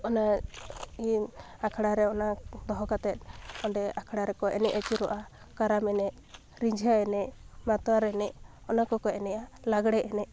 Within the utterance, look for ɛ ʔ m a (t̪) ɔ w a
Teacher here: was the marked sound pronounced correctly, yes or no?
yes